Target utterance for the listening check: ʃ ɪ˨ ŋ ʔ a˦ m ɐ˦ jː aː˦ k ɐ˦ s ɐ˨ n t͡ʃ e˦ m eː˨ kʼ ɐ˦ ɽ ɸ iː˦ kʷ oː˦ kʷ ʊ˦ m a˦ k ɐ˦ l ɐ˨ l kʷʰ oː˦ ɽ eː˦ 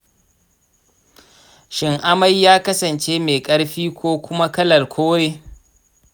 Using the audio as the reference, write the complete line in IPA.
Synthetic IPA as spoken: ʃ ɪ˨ ŋ ʔ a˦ m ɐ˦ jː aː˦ k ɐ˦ s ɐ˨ n t͡ʃ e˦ m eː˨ kʼ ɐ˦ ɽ ɸ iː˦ kʷ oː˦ kʷ ʊ˦ m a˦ k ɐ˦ l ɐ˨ l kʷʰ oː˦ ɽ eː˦

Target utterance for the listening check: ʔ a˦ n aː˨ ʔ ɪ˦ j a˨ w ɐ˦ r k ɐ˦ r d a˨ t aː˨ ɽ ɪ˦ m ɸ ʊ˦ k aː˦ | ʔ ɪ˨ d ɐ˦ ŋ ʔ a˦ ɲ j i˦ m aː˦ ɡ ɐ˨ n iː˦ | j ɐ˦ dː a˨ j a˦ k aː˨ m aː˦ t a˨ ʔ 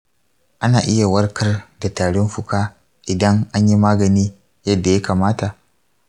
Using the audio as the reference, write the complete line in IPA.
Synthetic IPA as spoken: ʔ a˦ n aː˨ ʔ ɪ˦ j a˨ w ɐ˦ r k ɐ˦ r d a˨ t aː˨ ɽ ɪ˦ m ɸ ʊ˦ k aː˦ | ʔ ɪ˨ d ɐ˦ ŋ ʔ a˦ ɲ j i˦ m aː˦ ɡ ɐ˨ n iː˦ | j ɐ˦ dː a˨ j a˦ k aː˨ m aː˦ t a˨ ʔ

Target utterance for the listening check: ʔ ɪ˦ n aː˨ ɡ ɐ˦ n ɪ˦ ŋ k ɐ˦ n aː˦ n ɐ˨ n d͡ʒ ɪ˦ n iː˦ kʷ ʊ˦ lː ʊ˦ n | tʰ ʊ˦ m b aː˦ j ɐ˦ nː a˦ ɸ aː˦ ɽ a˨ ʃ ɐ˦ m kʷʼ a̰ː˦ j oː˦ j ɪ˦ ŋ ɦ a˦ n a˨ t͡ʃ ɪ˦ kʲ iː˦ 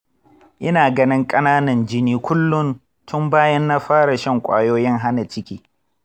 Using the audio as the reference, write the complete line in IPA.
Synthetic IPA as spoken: ʔ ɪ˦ n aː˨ ɡ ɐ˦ n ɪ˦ ŋ kʼ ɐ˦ n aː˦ n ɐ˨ n d͡ʒ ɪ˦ n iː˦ kʷ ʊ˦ lː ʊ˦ n | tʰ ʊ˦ m b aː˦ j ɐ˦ nː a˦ ɸ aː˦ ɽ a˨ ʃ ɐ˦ ŋ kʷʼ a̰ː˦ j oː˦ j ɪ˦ ŋ ɦ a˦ n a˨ t͡ʃ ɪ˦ kʲ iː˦

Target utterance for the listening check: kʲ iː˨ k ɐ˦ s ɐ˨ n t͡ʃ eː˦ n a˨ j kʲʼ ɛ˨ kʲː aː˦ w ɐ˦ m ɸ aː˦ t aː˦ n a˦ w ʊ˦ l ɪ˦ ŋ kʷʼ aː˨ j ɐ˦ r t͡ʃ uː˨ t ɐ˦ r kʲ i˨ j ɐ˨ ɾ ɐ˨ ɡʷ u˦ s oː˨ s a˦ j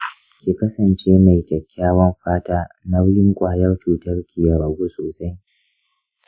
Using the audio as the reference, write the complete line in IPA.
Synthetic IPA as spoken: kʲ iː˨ k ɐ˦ s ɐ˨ n t͡ʃ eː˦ m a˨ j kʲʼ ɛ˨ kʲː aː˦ w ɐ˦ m ɸ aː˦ t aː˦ n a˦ w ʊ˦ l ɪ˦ ŋ kʷʼ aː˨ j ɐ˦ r t͡ʃ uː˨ t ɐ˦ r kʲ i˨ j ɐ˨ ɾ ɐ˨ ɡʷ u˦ s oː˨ s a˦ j

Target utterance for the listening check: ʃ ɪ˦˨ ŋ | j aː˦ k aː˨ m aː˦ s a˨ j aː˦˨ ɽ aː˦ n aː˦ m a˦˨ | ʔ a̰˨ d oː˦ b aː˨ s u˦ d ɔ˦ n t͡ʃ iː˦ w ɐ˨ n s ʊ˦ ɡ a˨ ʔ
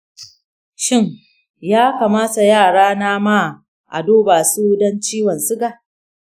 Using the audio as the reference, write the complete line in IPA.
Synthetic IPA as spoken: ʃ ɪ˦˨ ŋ | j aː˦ k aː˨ m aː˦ s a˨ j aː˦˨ ɽ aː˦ n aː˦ m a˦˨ | ʔ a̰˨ d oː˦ b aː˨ s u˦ d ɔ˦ n t͡ʃ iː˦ w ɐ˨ n s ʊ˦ ɡ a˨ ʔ

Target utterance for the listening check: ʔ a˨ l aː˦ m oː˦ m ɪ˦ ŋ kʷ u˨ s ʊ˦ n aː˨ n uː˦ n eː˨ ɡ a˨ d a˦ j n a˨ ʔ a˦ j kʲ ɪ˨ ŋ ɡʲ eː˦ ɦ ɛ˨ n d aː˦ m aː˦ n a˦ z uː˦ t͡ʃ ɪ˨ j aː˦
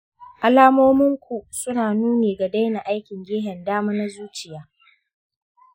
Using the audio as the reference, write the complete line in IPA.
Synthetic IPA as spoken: ʔ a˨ l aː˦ m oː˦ m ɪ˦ ŋ kʷ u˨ s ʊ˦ n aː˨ n uː˦ n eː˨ ɡ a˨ d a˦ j n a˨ ʔ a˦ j kʲ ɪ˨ ŋ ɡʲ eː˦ ɦ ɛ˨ n d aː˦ m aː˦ n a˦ z uː˦ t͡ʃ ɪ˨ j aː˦

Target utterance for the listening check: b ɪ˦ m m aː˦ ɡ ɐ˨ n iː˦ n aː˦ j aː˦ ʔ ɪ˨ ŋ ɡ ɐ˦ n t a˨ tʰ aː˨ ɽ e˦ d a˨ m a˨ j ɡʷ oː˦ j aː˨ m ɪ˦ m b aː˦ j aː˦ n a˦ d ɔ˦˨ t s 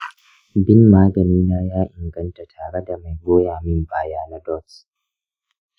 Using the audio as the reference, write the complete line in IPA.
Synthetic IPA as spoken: b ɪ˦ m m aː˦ ɡ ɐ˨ n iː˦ n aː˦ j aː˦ ʔ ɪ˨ ŋ ɡ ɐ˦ n t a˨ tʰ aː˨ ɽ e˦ d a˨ m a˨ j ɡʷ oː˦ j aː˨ m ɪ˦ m b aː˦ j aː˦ n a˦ d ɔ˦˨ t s

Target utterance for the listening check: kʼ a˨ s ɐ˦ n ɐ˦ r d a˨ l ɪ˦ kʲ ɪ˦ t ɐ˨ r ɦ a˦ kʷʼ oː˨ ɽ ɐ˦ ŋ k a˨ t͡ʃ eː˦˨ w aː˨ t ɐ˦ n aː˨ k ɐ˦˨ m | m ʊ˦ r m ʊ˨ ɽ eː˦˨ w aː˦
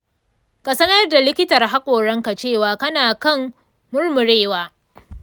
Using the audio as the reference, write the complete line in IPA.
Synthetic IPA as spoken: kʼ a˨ s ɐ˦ n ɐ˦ r d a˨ l ɪ˦ kʲ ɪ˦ t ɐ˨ r ɦ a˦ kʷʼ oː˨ ɽ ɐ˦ ŋ k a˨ t͡ʃ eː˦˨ w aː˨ k ɐ˦ n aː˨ k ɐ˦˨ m | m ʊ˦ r m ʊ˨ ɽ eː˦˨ w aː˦

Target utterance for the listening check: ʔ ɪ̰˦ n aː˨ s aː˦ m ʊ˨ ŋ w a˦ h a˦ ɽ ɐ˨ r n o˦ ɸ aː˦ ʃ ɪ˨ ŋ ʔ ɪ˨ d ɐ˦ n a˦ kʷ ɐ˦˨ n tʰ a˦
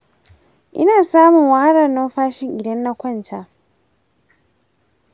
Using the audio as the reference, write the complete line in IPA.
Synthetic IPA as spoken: ʔ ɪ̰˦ n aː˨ s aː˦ m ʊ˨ ŋ w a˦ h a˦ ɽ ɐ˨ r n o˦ ɸ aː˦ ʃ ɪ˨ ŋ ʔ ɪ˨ d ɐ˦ nː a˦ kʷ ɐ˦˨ n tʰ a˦

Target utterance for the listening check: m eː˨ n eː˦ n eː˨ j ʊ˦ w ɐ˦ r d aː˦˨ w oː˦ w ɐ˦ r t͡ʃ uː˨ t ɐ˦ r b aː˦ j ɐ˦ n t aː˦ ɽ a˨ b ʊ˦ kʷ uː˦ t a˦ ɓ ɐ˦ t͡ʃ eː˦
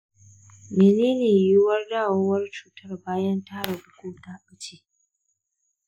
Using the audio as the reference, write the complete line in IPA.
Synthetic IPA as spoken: m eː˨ n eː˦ n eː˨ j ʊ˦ w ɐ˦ r d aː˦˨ w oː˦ w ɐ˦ r t͡ʃ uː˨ t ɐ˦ r b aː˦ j ɐ˦ n t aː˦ ɽ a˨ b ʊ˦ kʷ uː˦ t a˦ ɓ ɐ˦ t͡ʃ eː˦

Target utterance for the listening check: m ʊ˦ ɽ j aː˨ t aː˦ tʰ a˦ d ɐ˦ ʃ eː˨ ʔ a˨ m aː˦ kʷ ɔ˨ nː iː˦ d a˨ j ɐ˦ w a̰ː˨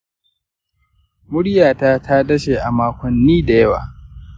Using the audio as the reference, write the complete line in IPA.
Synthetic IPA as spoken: m ʊ˦ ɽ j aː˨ t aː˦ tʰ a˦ d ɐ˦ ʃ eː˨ ʔ a˨ m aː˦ kʷ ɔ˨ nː iː˦ d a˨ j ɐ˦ w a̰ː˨

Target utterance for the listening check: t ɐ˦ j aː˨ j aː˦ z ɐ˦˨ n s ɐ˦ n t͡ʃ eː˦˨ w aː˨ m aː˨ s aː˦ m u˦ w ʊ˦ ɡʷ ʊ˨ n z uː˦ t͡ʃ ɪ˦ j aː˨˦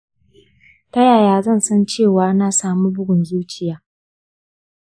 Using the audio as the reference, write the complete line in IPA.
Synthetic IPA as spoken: t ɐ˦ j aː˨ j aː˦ z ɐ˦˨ n s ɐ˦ n t͡ʃ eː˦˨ w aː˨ n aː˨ s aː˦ m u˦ b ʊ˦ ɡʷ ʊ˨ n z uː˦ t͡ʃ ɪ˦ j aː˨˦

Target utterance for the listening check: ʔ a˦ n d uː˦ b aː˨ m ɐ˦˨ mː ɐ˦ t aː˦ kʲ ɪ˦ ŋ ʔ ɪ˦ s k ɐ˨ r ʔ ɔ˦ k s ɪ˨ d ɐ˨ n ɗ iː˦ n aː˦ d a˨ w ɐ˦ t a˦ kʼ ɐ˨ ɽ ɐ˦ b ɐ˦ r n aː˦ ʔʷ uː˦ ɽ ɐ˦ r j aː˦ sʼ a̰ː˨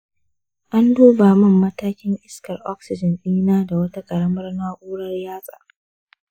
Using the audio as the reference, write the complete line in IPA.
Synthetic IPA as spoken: ʔ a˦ n d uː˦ b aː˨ m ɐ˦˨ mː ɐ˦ t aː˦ kʲ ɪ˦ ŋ ʔ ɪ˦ s k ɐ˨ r ʔ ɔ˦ k s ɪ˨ d͡ʒ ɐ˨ n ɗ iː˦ n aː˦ d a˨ w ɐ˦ t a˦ kʼ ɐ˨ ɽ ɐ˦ m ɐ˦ r n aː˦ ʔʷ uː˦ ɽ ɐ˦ r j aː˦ sʼ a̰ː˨

